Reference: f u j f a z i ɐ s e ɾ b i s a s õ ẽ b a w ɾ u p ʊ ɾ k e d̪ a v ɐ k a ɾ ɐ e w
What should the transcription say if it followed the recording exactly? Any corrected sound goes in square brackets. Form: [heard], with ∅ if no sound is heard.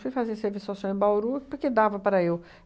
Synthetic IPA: f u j f a z i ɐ s e ɾ [v] i s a s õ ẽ b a w ɾ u p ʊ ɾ k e d̪ a v ɐ [p] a ɾ ɐ e w